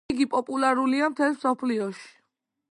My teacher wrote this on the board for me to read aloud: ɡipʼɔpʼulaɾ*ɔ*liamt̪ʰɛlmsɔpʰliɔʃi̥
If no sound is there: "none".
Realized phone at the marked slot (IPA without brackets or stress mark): u